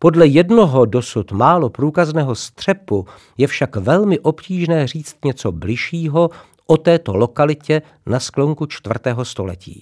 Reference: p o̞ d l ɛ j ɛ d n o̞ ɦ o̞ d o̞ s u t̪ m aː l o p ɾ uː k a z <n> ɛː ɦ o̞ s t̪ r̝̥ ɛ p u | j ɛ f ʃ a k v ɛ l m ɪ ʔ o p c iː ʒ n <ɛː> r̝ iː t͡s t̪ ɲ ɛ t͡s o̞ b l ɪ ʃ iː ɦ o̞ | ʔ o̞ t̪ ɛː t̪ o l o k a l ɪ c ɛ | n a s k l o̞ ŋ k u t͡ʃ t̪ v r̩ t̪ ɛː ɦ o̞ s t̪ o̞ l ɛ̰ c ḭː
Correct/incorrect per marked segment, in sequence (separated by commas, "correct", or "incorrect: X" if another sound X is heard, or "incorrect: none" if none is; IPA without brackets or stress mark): correct, correct